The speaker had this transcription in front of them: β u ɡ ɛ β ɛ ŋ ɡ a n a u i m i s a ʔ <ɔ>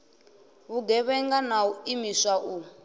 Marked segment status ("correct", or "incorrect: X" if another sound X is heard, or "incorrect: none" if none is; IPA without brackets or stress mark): incorrect: u